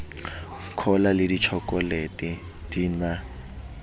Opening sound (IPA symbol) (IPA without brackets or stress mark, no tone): kʰ